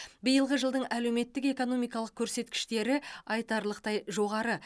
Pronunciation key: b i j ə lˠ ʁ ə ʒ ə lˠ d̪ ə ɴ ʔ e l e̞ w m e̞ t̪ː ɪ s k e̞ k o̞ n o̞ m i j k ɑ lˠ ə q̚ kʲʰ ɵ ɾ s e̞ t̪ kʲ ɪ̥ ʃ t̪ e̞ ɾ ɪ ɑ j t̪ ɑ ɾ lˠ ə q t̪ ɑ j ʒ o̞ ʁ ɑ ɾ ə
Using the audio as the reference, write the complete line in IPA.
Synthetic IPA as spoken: b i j ə lˠ ʁ ə ʒ ə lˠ d̪ ə ɴ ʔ æ l e̞ w m e̞ t̪ː ɪ k e̞ k o̞ n o̞ m i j k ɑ lˠ ə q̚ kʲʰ ɵ ɾ s e̞ t̪ kʲ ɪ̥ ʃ t̪ e̞ ɾ ɪ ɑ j t̪ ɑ ɾ lˠ ə q t̪ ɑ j ʒ o̞ ʁ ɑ ɾ ə